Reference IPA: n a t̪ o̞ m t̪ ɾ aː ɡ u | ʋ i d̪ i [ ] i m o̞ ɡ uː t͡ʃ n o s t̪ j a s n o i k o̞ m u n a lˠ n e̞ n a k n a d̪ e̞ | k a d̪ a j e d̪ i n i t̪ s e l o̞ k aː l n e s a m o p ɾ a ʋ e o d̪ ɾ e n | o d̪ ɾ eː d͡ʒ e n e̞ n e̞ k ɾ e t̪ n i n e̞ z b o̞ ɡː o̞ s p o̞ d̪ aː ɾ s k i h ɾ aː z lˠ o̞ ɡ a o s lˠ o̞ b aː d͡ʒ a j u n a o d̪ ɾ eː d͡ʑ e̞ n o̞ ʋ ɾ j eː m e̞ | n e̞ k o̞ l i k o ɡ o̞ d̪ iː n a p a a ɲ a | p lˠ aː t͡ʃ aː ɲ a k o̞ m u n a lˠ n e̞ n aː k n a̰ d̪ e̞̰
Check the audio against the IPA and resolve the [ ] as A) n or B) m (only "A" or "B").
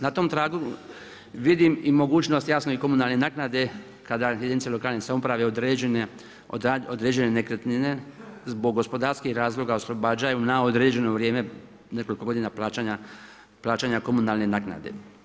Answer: B